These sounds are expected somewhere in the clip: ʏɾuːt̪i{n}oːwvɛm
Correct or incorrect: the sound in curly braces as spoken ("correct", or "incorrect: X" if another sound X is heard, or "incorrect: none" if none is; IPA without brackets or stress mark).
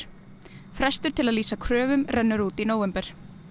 correct